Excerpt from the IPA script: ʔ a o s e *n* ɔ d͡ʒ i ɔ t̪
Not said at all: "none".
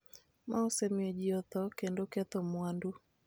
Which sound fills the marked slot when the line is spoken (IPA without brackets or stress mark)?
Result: m